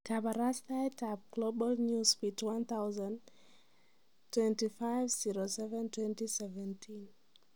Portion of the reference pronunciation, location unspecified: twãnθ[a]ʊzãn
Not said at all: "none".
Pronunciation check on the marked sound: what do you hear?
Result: a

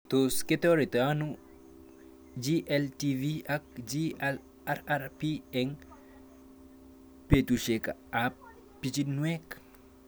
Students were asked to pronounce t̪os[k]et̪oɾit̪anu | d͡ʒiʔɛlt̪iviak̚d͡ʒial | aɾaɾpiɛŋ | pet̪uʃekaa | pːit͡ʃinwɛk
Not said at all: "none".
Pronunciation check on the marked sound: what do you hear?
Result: k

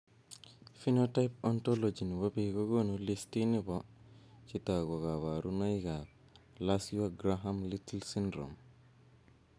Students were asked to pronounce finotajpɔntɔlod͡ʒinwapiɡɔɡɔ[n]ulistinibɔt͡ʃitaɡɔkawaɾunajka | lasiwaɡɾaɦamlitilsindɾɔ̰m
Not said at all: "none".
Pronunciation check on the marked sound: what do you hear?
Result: n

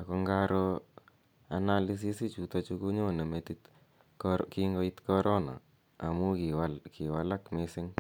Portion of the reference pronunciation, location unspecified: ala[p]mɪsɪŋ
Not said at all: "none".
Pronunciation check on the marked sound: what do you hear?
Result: k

